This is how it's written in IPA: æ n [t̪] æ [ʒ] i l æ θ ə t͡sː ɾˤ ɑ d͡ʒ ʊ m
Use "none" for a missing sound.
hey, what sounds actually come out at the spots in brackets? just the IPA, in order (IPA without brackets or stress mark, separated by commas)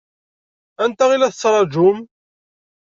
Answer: t̪, ʁ